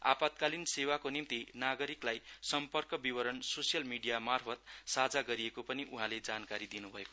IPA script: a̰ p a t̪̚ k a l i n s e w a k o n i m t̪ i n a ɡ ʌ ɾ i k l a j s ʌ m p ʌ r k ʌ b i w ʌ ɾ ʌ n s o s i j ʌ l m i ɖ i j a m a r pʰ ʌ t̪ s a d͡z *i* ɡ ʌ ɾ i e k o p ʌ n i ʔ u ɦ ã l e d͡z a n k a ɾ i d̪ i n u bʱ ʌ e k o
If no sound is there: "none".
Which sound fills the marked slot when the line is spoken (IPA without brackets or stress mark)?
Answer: a